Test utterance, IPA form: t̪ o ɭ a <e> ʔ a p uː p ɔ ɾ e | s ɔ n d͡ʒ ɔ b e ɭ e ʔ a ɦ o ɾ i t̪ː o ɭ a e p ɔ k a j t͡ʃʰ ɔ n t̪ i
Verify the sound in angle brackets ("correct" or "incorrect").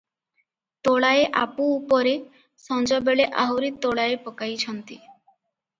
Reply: correct